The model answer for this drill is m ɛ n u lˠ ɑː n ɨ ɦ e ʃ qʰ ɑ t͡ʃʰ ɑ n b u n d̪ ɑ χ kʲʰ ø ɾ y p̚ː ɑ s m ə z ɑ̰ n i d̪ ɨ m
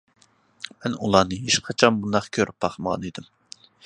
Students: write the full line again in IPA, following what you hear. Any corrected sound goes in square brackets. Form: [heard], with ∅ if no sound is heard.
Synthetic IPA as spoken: m ɛ n u lˠ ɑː n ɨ ɦ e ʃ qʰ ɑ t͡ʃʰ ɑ n b u n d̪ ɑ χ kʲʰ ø ɾ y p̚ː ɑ [χ] m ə [ʁ] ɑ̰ n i d̪ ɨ m